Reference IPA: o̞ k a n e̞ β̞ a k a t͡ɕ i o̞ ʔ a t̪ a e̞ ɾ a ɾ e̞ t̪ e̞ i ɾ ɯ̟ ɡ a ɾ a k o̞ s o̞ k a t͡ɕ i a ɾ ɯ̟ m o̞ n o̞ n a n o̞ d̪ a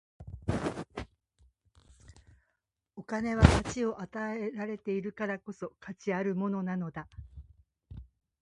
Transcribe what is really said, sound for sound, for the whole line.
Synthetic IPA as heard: o̞ k a n e̞ β̞ a k a t͡ɕ i o̞ ʔ a t̪ a e̞ ɾ a ɾ e̞ t̪ e̞ i ɾ ɯ̟ k a ɾ a k o̞ s o̞ k a t͡ɕ i a ɾ ɯ̟ m o̞ n o̞ n a n o̞ d̪ a